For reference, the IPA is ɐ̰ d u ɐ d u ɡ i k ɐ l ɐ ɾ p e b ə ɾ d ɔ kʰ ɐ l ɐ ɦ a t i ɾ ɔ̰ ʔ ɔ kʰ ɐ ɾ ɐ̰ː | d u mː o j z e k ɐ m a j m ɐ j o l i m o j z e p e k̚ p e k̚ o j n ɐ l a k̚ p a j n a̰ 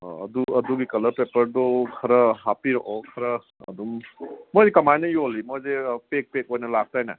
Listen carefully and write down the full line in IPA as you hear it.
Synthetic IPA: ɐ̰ d u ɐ d u ɡ i k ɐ l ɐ ɾ p e p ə ɾ d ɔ kʰ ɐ ɾ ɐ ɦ a p i ɾ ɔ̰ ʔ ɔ kʰ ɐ ɾ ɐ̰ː | d u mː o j z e k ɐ m a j n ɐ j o l i m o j z e p e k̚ p e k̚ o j n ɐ l a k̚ t a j n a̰